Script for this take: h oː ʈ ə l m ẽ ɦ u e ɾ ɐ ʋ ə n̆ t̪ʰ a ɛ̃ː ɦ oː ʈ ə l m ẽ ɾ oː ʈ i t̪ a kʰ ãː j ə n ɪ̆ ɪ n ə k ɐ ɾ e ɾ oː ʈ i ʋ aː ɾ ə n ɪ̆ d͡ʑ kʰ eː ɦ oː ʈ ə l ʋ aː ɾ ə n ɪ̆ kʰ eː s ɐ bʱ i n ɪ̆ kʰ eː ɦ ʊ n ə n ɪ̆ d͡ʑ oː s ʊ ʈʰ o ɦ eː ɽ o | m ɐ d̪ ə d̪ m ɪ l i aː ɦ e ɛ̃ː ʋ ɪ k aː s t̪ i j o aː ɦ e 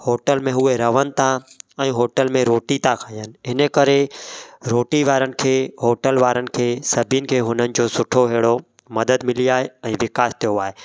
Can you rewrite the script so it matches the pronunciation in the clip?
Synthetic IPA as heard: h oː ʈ ə l m ẽ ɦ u e ɾ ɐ ʋ ə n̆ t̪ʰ a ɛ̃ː ɦ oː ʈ ə l m ẽ ɾ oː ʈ i t̪ a kʰ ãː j ə n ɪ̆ ɪ n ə k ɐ ɾ e ɾ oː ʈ i ʋ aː ɾ ə n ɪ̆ kʰ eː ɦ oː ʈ ə l ʋ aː ɾ ə n ɪ̆ kʰ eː s ɐ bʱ i n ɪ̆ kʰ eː ɦ ʊ n ə n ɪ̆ d͡ʑ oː s ʊ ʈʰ o ɦ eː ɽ o | m ɐ d̪ ə d̪ m ɪ l i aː ɦ e ɛ̃ː ʋ ɪ k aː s t̪ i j o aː ɦ e